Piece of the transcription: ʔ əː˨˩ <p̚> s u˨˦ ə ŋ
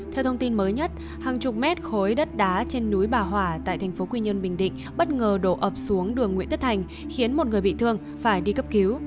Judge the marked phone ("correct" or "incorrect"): correct